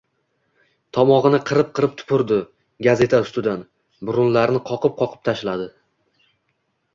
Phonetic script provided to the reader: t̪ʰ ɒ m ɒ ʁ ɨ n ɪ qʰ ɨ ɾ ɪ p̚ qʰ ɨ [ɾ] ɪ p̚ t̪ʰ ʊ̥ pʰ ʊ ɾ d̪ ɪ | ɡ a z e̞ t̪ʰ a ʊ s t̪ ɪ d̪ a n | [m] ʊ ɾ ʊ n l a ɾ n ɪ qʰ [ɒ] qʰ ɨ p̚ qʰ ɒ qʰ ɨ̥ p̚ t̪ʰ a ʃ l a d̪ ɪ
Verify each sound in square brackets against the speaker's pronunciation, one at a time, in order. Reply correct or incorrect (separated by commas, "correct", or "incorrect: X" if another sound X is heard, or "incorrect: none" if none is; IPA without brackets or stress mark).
correct, incorrect: b, correct